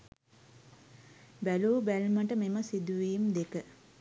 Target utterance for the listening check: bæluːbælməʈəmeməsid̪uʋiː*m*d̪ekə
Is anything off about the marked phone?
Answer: no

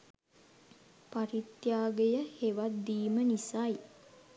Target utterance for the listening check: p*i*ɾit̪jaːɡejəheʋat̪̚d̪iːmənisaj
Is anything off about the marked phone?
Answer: yes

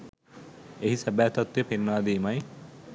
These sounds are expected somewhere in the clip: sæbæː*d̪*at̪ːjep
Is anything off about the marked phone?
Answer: yes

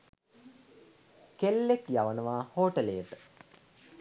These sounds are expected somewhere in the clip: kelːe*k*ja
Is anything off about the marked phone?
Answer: no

